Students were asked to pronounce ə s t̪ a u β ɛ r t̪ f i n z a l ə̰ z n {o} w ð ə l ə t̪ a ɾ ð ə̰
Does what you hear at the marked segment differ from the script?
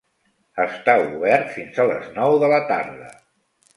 yes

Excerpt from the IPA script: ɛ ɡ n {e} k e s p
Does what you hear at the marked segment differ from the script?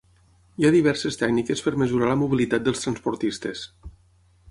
yes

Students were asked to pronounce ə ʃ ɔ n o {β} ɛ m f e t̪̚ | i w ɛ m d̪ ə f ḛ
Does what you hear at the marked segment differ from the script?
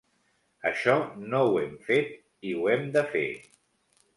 yes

